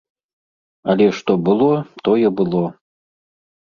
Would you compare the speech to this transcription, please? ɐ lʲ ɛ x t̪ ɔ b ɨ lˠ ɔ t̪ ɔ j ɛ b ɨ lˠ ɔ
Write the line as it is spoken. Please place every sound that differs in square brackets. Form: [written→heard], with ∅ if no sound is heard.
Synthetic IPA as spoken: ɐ lʲ ɛ [x→ʂ] t̪ ɔ b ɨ lˠ ɔ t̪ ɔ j ɛ b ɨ lˠ ɔ